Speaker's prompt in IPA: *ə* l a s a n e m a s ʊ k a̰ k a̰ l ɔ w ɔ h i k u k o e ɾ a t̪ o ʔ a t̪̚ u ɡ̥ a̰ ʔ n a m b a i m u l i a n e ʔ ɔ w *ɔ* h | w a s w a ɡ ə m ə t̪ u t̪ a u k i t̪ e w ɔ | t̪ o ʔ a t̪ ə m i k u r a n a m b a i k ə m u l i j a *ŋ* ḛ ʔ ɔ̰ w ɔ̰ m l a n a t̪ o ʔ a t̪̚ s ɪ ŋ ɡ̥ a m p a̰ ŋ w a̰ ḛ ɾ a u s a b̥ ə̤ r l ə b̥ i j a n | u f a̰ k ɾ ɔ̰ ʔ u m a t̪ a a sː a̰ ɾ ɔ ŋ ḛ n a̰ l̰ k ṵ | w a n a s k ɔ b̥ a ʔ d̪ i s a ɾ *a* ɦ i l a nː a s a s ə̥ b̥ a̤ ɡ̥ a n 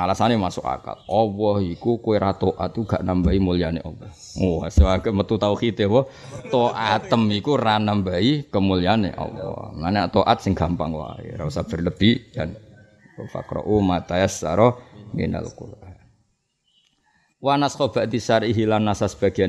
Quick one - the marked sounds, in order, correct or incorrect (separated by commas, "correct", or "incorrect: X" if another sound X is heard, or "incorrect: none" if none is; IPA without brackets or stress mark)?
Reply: incorrect: a, correct, incorrect: n, incorrect: i